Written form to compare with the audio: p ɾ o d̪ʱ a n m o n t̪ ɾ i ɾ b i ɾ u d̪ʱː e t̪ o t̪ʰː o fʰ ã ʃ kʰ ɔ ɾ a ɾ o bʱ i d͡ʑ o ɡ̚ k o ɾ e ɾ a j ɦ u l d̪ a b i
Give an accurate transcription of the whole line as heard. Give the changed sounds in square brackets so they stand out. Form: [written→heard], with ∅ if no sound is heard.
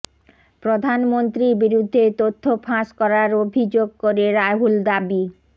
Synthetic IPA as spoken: p ɾ o d̪ʱ a n m o n t̪ ɾ i ɾ b i ɾ u d̪ʱː e t̪ o t̪ʰː o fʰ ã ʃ [kʰ→k] ɔ ɾ a ɾ o bʱ i d͡ʑ o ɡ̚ k o ɾ e ɾ a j ɦ u l d̪ a b i